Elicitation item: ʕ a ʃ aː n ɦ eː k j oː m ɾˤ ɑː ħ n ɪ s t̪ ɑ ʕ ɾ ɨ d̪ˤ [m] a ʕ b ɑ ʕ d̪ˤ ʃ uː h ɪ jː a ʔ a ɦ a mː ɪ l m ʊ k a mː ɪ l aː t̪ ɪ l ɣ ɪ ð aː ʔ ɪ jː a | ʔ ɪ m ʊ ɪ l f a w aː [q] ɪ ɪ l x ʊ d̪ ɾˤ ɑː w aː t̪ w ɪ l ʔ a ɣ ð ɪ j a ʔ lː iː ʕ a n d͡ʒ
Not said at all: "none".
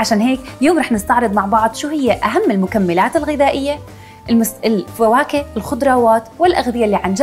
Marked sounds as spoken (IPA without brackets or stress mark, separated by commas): m, k